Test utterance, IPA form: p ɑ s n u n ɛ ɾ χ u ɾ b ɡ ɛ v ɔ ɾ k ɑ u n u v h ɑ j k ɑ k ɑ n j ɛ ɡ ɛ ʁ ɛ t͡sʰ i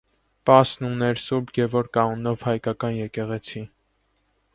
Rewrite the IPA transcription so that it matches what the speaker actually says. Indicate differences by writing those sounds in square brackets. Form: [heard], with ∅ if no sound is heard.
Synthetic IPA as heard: p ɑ s n u n ɛ ɾ [s] u ɾ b ɡ ɛ v ɔ ɾ k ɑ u n [ɔ] v h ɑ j k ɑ k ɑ n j ɛ [k] ɛ ʁ ɛ t͡sʰ i